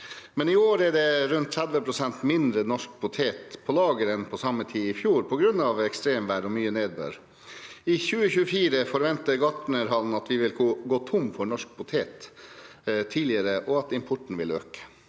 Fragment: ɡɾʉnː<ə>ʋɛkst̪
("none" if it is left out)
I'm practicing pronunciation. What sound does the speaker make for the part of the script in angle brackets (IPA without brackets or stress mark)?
ɑ